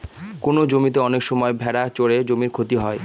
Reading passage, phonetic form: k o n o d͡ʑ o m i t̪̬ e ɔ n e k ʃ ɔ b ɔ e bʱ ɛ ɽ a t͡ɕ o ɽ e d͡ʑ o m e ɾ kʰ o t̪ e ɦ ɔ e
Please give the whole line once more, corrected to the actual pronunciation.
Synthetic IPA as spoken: k o n o d͡ʑ o m i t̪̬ e ɔ n e k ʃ ɔ m ɔ e bʱ ɛ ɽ a t͡ɕ o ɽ e d͡ʑ o m i ɾ kʰ o t̪ i ɦ ɔ e